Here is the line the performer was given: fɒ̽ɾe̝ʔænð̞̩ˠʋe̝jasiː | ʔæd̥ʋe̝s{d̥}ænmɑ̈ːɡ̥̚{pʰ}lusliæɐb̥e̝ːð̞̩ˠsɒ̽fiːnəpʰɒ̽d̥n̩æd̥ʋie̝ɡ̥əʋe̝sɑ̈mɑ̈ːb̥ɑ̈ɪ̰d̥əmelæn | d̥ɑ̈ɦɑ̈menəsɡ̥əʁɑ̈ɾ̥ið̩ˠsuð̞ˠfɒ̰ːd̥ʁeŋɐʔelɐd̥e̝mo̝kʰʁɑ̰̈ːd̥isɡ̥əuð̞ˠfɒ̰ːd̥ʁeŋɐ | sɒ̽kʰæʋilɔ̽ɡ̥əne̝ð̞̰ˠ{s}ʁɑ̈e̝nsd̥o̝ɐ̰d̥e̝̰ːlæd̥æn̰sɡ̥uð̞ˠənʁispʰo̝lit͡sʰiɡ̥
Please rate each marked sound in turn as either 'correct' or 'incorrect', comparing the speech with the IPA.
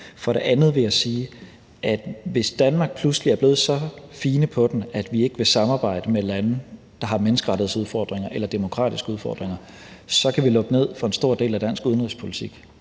correct, correct, incorrect: f

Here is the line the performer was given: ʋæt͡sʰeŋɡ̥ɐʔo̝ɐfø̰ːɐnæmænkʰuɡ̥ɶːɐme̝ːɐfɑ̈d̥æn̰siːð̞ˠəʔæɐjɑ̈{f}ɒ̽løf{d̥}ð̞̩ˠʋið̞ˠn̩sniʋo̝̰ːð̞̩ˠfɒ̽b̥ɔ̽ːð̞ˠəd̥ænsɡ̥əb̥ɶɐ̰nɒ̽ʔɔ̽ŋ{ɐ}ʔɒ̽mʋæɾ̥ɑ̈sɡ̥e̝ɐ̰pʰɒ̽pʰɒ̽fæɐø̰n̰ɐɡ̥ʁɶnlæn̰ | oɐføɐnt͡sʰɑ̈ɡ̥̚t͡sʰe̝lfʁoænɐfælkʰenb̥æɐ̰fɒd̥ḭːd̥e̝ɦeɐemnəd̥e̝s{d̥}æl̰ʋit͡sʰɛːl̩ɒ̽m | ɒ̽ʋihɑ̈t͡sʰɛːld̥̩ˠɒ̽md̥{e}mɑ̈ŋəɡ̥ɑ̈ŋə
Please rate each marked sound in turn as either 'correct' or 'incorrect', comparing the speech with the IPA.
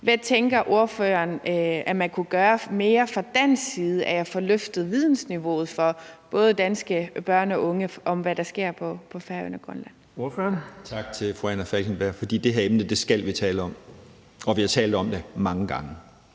correct, correct, incorrect: ə, incorrect: ɡ̥, correct

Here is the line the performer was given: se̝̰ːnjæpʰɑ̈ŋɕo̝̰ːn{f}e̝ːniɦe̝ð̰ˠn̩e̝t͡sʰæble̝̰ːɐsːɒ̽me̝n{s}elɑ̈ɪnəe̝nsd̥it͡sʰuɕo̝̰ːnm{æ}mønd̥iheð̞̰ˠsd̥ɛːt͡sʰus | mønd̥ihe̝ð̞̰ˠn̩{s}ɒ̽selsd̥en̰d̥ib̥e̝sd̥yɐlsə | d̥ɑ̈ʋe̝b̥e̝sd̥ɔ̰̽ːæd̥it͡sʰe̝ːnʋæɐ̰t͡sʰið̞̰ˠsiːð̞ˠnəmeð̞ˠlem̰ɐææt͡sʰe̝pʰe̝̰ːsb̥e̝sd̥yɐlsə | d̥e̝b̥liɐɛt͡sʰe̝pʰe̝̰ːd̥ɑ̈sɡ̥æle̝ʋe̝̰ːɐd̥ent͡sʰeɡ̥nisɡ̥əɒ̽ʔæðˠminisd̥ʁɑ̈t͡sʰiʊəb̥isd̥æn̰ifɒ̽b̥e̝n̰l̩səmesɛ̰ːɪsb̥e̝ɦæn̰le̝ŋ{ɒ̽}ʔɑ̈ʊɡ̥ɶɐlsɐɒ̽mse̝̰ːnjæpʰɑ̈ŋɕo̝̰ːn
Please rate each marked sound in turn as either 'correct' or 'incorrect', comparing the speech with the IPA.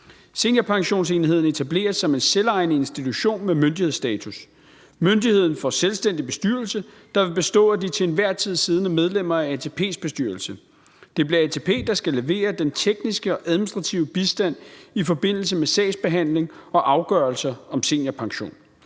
incorrect: s, correct, incorrect: e, incorrect: f, correct

